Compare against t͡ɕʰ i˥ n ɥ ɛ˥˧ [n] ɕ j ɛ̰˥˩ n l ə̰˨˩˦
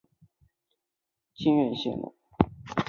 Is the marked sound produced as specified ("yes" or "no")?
yes